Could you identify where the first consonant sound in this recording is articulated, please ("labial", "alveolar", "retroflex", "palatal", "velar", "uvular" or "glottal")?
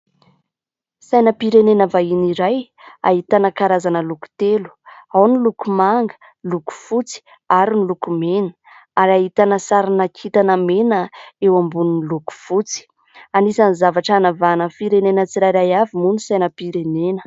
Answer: alveolar